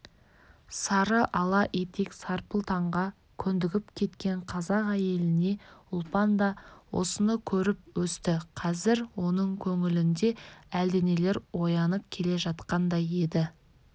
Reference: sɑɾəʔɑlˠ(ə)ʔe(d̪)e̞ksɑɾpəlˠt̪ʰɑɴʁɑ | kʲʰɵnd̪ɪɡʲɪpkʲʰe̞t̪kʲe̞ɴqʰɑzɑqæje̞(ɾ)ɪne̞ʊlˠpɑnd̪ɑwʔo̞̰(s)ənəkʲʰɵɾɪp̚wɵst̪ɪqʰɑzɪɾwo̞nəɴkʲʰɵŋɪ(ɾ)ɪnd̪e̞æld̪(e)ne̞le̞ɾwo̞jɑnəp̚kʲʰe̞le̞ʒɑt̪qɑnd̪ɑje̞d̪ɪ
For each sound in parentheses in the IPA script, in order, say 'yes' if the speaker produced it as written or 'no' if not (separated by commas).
no, no, no, yes, no, yes